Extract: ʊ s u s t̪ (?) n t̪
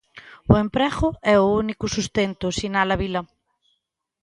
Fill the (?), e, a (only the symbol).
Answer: e